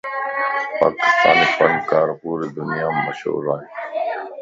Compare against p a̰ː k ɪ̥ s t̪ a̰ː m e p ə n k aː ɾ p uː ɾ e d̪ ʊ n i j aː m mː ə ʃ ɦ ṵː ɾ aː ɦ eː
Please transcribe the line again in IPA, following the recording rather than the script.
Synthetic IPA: p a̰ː k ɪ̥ s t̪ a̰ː n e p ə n k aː ɾ p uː ɾ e d̪ ʊ n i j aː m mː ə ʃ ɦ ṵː ɾ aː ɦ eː

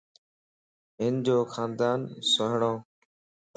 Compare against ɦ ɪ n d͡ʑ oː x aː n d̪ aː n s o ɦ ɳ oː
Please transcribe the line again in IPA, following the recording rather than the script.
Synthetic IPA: ɦ ɪ n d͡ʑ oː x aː n d̪ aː n s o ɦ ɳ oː

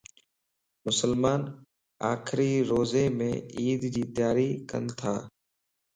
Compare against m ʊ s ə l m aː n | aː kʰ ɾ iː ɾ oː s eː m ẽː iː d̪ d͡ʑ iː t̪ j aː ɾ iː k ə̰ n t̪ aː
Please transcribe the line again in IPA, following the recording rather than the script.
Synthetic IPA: m ʊ s ə l m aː n | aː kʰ ɾ iː ɾ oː z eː m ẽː iː d̪ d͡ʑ iː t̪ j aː ɾ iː k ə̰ n t̪ʰ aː

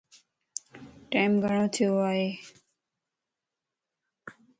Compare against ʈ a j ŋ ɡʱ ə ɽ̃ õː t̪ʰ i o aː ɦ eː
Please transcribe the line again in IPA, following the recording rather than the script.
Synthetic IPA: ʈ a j m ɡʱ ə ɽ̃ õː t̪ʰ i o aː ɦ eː

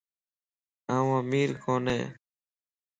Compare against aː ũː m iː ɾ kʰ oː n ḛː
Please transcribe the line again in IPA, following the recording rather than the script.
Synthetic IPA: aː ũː m iː ɾ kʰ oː n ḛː

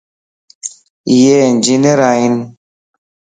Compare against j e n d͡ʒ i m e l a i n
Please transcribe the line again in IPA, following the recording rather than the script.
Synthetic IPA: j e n d͡ʒ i n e ɾ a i n

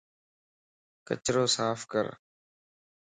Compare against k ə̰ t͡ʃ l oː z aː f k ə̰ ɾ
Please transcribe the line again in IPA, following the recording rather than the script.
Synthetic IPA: k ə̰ t͡ʃ ɾ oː s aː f k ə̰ ɾ

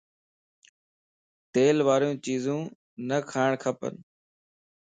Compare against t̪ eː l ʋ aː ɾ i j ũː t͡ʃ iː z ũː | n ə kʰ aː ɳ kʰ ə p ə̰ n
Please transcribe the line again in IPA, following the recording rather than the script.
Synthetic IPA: t̪ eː l ʋ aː ɾ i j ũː t͡ʃ iː z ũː | n ə kʰ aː ɳ kʰ ə p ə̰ n

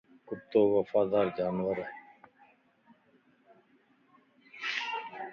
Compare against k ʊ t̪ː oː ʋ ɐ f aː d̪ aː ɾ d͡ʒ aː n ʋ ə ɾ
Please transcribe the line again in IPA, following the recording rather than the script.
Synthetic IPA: k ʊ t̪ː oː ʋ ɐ f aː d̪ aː ɾ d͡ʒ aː n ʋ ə ɾ

